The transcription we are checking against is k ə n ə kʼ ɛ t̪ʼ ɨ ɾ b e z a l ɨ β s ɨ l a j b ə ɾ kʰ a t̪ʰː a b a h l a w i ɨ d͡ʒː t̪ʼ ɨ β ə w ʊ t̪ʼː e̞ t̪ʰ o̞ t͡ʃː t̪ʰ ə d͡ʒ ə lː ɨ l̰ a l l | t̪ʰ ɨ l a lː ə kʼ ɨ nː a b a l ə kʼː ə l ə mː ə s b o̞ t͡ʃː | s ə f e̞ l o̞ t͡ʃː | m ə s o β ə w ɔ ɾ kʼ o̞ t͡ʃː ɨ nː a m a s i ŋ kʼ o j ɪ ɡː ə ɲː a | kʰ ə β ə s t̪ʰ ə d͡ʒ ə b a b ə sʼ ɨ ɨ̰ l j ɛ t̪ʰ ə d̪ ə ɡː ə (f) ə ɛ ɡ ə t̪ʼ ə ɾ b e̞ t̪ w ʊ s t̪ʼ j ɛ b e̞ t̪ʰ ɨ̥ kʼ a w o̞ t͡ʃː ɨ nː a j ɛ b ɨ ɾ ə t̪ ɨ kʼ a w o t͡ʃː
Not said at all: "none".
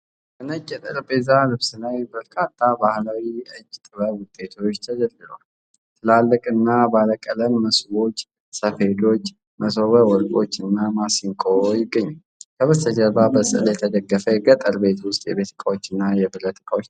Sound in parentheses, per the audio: f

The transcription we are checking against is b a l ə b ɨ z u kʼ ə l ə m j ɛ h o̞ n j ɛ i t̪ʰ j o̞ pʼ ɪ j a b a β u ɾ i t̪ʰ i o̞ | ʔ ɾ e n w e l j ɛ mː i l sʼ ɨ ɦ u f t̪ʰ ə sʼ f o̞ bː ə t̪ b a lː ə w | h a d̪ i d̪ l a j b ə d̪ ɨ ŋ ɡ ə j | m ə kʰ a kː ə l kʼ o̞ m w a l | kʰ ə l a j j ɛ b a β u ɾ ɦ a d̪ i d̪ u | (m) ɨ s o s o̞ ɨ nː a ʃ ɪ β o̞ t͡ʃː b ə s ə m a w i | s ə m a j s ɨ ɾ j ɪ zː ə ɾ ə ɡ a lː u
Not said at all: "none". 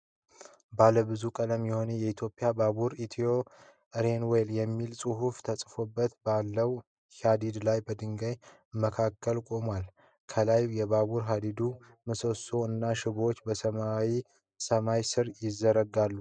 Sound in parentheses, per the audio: m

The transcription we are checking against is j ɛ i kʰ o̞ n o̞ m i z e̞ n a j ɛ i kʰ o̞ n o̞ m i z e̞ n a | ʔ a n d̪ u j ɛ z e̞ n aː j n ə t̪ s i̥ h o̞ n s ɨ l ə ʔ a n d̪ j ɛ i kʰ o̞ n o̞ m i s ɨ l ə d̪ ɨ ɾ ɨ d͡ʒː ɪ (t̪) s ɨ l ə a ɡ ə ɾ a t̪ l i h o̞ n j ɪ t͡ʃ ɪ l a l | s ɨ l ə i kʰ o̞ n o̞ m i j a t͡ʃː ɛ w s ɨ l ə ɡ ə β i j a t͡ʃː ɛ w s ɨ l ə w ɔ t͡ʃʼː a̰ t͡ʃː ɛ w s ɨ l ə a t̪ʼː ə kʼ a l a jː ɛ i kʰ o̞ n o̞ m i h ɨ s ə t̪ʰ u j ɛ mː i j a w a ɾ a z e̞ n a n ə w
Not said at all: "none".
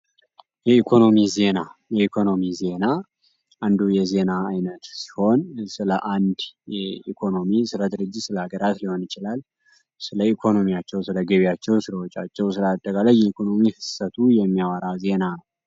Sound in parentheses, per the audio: t̪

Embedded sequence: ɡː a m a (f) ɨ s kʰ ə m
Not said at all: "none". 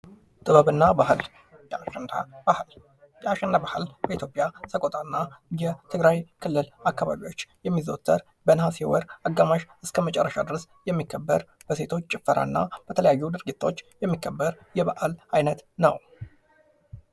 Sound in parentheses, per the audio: ʃ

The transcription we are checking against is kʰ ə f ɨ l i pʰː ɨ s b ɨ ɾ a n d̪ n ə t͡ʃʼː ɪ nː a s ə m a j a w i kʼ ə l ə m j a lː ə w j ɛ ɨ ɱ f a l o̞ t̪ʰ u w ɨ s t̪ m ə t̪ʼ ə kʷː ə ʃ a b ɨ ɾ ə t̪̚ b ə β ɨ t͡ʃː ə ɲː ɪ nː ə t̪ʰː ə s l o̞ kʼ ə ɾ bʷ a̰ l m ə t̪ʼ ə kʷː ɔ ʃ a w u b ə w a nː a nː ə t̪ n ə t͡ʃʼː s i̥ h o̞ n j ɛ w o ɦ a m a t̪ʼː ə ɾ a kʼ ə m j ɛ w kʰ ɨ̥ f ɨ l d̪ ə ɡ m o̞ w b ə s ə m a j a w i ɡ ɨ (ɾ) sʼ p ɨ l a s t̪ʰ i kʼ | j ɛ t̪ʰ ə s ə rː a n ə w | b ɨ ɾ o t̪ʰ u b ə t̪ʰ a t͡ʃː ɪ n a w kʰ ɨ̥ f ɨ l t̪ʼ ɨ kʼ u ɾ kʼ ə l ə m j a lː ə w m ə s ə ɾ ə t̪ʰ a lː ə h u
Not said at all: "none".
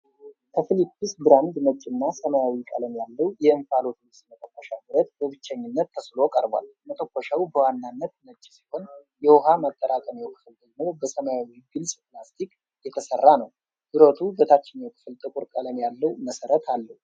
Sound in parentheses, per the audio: l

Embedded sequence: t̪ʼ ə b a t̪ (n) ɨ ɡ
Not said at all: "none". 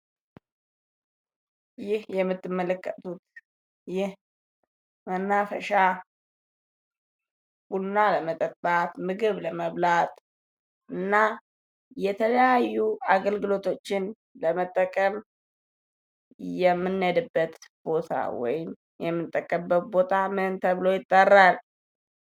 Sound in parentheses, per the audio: m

